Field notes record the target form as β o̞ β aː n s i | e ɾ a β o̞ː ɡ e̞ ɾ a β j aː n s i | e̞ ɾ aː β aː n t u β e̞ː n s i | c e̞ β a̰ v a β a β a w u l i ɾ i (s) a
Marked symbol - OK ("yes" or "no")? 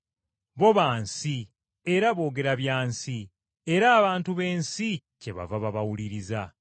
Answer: no